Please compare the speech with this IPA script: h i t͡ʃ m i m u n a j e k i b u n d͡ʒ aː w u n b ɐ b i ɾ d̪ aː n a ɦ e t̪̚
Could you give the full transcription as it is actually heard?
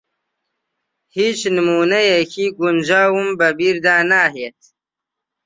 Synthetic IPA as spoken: h i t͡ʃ n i m u n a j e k i ɡ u n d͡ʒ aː w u m b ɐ b i ɾ d̪ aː n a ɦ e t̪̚